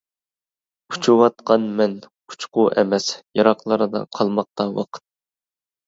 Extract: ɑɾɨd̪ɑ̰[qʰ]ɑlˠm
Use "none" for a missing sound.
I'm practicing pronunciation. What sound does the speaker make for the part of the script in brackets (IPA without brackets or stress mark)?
qʰ